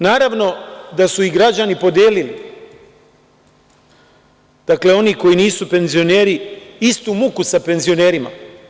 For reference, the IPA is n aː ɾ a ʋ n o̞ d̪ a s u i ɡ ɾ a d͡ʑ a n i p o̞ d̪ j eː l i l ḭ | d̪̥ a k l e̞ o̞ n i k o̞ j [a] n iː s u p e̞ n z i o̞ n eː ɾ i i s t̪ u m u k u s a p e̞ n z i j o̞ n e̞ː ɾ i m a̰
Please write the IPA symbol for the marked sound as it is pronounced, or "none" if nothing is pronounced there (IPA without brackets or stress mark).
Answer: i